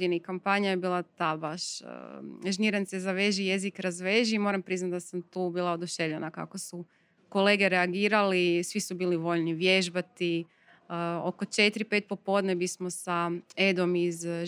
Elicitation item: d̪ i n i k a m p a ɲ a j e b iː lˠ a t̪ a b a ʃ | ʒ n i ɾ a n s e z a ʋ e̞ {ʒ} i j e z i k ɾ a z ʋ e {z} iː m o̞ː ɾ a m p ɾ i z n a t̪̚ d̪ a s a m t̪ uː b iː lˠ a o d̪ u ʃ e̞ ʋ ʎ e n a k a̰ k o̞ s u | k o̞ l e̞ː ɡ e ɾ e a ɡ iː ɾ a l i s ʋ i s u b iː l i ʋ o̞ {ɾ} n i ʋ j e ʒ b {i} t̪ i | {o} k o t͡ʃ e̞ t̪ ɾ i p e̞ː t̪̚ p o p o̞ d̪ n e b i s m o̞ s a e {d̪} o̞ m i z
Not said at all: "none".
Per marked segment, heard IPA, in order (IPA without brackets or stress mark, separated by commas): ʒ, ʒ, ʎ, a, o, d̪